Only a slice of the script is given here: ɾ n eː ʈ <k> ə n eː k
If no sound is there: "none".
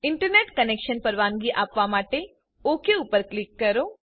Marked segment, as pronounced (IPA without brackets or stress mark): k